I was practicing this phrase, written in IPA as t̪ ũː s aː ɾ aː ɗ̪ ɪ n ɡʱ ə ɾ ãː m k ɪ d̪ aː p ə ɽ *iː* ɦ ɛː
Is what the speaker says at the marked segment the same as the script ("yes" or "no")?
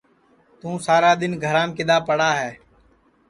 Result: no